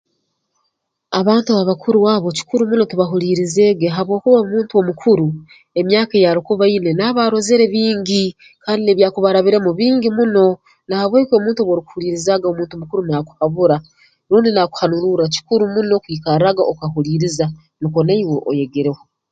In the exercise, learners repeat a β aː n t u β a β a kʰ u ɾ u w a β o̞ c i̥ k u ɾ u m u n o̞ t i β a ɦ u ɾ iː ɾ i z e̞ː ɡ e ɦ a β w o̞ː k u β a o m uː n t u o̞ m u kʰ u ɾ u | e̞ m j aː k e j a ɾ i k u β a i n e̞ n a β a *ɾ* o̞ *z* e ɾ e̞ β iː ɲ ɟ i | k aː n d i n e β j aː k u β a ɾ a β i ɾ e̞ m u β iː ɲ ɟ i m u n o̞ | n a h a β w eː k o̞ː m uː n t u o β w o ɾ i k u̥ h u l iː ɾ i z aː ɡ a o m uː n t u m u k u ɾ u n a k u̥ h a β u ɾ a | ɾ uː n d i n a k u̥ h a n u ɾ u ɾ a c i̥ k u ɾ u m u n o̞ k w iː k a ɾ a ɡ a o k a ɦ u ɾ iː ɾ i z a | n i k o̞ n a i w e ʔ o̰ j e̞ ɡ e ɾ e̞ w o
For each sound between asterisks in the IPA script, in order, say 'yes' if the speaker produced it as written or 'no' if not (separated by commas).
yes, yes